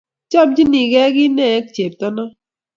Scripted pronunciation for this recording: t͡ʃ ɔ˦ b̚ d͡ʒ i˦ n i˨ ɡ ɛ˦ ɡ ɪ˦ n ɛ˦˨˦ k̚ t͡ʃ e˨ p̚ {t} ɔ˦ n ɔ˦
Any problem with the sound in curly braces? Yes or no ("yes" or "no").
no